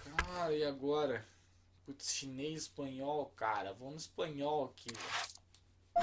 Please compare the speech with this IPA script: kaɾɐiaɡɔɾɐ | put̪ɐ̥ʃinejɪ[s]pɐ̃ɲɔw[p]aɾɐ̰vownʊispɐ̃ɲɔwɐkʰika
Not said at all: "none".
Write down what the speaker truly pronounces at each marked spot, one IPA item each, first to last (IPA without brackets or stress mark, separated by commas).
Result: s, k